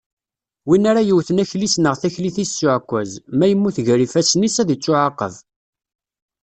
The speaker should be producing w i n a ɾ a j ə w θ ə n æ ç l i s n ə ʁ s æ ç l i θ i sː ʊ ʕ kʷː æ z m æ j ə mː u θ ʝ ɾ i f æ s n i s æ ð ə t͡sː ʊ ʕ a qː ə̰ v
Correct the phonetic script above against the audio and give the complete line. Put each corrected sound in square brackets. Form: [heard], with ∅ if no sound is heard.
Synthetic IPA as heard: w i n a ɾ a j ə w θ ə n æ ç l i s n ə ʁ [θ] æ ç l i θ i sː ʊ ʕ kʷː æ z m æ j ə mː u θ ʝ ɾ i f æ s n i s æ ð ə t͡sː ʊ ʕ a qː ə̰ v